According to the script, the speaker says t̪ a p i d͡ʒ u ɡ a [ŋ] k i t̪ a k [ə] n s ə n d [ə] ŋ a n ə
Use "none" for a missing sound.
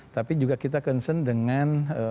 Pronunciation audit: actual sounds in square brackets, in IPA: none, ə, ə

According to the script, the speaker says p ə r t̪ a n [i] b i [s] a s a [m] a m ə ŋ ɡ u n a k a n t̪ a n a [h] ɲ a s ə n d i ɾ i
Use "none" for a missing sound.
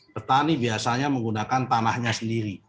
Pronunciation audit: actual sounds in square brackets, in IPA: i, none, ɲ, h

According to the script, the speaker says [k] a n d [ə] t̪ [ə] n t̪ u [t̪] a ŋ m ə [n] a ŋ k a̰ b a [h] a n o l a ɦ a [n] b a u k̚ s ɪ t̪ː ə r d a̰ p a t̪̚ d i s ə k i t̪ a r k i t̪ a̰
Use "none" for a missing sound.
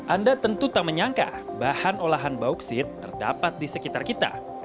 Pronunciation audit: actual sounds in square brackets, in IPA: ʔ, a, ə, t̪, ɲ, h, n

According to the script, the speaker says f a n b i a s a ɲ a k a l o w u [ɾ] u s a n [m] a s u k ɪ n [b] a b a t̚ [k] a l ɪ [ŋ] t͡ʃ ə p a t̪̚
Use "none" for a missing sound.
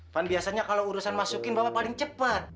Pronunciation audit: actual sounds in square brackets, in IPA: ɾ, m, b, p, ŋ

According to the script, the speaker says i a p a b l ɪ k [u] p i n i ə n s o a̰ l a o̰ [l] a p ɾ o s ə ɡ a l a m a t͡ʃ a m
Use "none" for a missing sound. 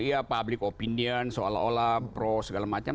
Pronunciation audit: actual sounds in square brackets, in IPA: o, l

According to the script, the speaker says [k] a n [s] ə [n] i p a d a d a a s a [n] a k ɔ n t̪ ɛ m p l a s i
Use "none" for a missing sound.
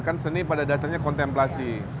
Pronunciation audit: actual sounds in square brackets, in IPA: k, s, n, ɲ

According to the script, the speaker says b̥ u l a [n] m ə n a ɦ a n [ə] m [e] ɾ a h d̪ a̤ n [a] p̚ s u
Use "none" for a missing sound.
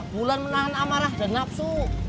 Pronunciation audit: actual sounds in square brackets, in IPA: n, a, a, a

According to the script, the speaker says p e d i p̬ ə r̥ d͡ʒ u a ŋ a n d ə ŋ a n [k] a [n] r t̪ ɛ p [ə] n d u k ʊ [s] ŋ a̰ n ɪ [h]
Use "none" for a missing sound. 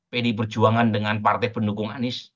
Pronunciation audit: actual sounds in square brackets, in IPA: p, none, ə, none, s

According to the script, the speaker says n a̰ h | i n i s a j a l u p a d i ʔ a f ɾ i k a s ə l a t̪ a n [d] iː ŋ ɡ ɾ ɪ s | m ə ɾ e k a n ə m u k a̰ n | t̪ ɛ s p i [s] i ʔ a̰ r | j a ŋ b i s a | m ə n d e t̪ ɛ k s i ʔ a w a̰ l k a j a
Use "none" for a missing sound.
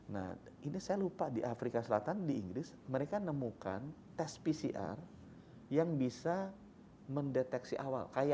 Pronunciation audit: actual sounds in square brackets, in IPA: d, s

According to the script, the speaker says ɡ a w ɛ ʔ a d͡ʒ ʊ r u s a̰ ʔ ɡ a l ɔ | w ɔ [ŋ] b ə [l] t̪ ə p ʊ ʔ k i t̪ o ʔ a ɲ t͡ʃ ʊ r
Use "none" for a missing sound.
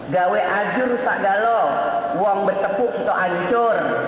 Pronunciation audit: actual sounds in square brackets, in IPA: ŋ, r

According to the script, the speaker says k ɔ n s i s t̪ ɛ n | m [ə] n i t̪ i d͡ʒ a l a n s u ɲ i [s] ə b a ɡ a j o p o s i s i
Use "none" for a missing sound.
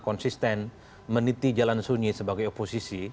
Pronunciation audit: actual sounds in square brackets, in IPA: ə, s

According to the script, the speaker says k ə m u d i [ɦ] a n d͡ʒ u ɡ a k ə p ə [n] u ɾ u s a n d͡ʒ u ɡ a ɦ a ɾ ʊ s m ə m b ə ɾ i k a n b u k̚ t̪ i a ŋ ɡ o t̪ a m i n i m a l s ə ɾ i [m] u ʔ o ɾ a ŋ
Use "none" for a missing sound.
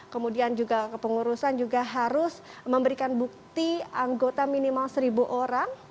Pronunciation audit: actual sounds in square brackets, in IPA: none, ŋ, b

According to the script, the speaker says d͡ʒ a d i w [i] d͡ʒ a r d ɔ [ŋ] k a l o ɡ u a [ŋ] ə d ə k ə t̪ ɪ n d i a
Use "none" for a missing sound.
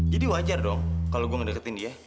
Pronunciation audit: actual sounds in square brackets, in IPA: a, ŋ, ŋ

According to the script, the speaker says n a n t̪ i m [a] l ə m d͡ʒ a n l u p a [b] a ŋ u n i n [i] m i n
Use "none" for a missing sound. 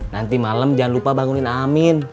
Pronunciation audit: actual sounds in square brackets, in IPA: a, b, a

